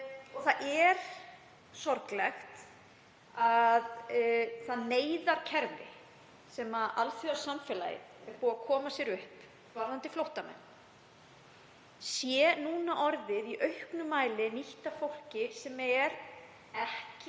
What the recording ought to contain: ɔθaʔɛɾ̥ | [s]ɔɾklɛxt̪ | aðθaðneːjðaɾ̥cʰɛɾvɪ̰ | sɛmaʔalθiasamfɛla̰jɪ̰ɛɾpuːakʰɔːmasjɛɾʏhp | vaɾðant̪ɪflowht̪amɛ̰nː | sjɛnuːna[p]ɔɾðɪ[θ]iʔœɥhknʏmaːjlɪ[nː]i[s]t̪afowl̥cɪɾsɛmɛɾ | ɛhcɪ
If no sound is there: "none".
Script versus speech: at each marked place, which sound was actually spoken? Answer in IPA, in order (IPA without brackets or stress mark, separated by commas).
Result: s, ʔ, ð, n, h